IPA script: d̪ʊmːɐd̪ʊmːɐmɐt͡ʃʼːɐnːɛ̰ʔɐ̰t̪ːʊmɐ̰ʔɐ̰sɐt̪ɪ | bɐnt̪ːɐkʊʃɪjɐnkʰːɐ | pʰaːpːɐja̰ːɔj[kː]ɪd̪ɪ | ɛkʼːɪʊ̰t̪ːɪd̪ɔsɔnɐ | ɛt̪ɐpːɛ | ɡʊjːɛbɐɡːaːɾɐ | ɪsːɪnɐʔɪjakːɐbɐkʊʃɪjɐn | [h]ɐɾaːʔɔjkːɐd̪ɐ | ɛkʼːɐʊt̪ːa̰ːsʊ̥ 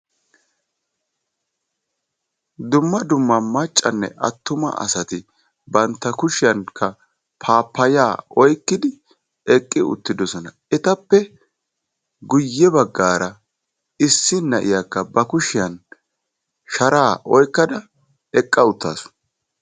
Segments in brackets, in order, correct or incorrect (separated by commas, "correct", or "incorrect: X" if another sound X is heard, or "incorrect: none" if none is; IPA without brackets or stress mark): correct, incorrect: ʃ